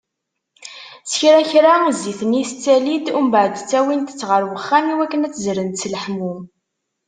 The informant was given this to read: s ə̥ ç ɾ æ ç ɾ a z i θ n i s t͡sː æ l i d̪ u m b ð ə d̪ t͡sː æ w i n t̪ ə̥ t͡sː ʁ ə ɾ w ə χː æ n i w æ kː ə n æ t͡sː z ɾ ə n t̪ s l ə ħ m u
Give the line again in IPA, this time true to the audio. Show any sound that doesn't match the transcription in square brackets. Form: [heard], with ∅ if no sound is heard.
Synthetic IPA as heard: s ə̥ ç ɾ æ ç ɾ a z i θ n i s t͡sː æ l i d̪ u m b [ʕ] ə d̪ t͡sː æ w i n t̪ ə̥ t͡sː ʁ ə ɾ w ə χː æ n i w æ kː ə n æ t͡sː z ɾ ə n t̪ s l ə ħ m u